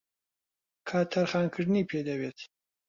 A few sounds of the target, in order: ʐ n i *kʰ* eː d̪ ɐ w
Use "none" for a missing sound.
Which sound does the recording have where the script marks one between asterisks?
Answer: pʰ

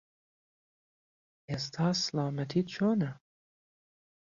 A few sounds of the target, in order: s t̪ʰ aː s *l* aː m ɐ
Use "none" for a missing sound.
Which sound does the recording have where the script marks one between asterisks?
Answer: l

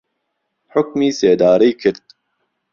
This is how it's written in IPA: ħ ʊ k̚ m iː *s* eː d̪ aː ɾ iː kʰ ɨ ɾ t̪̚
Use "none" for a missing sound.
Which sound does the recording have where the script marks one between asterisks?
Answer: s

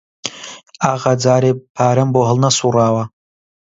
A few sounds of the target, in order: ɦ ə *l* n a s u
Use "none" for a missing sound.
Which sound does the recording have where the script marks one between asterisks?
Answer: l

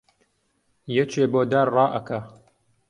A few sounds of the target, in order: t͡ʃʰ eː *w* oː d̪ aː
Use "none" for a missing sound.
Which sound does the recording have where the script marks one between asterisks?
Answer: b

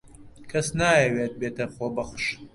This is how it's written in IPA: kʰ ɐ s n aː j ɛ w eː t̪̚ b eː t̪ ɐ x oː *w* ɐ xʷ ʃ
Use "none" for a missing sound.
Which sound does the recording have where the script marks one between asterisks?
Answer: b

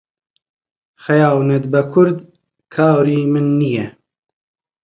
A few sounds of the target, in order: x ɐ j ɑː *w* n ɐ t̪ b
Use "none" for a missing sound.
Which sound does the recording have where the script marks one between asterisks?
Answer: w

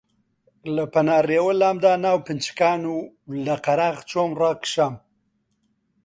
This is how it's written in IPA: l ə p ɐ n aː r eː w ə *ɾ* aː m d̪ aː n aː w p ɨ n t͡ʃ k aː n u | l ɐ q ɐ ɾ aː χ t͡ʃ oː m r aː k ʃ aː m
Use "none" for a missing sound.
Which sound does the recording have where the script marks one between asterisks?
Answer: l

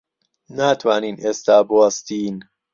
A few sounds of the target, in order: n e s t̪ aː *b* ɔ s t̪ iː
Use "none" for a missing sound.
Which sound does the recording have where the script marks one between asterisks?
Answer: b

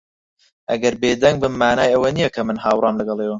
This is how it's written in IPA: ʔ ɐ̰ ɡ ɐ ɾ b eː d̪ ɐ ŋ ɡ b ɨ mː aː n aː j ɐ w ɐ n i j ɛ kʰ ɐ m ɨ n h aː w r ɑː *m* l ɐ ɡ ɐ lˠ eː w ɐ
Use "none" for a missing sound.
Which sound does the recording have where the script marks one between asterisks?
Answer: m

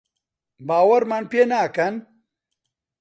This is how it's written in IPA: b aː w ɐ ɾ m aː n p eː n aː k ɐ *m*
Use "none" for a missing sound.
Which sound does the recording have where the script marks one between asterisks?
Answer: n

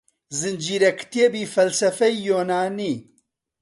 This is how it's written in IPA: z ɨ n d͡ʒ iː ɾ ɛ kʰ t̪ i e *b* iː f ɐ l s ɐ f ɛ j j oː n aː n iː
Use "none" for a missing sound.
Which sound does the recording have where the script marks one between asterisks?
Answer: b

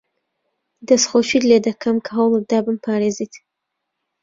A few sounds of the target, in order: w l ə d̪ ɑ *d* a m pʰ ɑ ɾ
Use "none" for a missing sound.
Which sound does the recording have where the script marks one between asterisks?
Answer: b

